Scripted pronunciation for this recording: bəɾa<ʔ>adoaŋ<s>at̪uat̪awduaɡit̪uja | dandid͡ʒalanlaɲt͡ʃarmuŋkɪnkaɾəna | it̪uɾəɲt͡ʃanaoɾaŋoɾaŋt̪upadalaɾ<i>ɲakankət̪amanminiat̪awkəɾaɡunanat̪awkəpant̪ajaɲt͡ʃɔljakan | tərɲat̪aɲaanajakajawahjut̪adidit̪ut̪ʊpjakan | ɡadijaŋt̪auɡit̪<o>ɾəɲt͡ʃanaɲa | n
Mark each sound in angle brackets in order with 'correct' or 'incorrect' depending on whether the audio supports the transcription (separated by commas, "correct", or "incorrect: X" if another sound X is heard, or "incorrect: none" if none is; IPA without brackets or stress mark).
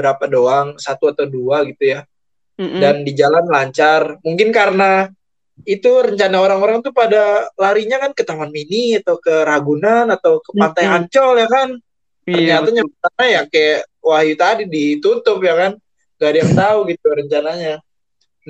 incorrect: p, correct, correct, incorrect: u